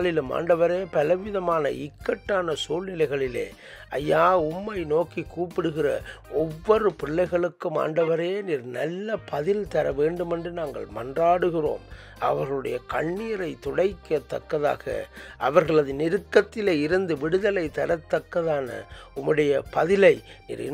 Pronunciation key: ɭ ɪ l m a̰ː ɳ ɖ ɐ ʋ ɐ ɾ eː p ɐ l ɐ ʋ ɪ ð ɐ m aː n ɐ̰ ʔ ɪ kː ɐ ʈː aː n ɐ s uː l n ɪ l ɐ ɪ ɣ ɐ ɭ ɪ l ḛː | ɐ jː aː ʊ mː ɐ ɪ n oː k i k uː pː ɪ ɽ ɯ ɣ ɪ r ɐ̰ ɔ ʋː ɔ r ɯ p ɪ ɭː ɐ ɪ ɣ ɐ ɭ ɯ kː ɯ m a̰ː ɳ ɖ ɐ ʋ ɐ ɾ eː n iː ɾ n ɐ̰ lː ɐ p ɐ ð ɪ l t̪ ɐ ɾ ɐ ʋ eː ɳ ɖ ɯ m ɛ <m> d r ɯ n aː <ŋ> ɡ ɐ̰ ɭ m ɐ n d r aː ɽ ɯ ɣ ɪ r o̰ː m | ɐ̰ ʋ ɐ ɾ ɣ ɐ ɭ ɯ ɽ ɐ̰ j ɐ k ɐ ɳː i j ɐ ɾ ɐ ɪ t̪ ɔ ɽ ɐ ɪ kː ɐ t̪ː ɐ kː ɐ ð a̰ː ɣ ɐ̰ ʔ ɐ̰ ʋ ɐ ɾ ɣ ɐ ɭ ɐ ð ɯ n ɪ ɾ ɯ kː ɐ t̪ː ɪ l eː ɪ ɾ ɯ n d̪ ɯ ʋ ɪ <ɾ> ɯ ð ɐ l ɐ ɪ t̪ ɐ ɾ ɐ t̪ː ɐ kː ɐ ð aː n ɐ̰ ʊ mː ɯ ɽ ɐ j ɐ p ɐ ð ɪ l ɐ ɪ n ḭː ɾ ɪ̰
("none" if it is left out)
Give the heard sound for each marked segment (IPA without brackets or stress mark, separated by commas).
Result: n, ŋ, ɽ